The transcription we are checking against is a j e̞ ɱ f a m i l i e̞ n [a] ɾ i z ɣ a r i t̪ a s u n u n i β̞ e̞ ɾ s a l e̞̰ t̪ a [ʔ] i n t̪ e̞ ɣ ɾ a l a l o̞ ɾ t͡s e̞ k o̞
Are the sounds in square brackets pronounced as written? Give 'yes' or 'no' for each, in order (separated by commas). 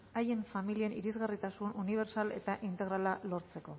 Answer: no, yes